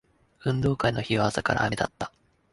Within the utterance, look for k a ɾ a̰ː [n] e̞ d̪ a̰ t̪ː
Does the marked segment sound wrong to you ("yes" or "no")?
yes